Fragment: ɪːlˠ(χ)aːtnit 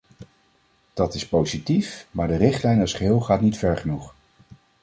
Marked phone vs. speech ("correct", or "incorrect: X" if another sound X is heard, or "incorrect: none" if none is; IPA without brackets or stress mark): correct